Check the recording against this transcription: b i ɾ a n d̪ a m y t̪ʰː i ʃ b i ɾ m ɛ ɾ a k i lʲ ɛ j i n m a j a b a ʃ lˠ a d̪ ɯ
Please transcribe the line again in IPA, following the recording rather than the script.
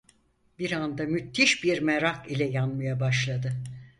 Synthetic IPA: b i ɾ a n d̪ a m y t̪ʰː i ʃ b i ɾ m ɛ ɾ a k i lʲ ɛ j a n m a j a b a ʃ lˠ a d̪ ɯ